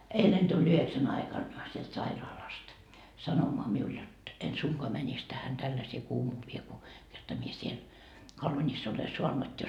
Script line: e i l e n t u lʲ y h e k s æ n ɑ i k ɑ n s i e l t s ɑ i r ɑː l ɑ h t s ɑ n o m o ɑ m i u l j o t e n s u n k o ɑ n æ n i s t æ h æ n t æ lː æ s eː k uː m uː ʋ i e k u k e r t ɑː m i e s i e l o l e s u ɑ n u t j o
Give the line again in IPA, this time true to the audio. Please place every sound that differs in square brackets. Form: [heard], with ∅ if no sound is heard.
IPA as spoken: e i l e n t u lʲ y h e k s æ n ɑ i k ɑ n s i e l t s ɑ i r ɑː l ɑ [s] t s ɑ n o m o ɑ m i u l j o t e n s u [ŋ] k o ɑ [m] æ n i s t æ h æ n t æ lː æ s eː k uː m uː ʋ i e k u k e r t [ɑ] m i e s i e l o l e s u ɑ n u t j o